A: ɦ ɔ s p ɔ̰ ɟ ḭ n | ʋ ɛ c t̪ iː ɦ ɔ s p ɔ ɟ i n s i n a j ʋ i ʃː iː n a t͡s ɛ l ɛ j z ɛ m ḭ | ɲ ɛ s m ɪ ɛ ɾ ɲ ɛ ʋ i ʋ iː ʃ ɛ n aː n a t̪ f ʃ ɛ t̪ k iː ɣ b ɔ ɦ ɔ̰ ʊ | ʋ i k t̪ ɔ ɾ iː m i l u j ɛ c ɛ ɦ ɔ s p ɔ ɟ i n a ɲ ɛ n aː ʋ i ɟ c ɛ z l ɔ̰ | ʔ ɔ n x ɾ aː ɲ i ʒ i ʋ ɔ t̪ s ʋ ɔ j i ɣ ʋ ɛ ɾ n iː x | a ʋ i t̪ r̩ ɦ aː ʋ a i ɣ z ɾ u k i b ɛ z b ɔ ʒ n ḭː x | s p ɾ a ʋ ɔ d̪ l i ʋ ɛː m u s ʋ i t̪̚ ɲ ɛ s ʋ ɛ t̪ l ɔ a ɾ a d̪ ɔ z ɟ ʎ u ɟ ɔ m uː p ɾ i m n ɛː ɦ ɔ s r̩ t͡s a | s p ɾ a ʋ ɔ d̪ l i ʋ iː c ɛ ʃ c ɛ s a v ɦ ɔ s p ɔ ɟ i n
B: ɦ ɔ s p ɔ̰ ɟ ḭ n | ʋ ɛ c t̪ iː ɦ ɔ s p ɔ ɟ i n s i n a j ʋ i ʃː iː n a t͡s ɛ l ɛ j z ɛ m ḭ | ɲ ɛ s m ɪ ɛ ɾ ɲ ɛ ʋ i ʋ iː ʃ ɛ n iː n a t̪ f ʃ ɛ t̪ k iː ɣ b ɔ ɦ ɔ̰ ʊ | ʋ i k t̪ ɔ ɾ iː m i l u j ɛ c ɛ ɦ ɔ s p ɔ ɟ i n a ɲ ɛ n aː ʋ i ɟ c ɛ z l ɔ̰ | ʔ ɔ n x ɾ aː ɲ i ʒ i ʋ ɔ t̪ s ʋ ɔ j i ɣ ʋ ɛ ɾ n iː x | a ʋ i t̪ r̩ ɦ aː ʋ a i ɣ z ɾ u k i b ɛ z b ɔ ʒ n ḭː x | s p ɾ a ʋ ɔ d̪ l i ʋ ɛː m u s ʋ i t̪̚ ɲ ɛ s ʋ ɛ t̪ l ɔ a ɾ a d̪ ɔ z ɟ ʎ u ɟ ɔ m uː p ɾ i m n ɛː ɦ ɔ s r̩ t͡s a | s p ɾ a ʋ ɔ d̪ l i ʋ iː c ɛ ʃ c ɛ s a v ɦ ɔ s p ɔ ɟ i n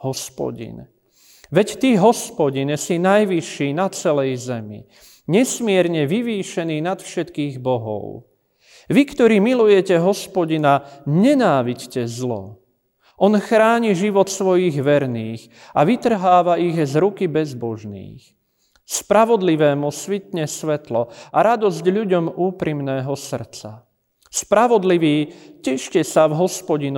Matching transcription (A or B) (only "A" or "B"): B